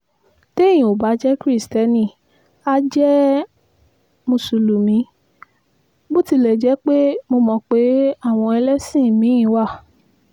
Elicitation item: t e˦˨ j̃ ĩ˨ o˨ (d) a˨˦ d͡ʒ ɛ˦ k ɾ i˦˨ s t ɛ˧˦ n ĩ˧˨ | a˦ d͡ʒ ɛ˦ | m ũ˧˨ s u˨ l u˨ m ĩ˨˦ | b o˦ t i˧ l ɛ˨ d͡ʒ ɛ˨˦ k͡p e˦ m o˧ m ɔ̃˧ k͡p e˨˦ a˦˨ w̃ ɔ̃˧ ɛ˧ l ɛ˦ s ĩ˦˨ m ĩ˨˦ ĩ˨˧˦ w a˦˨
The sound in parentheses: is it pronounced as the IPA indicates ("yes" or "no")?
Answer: no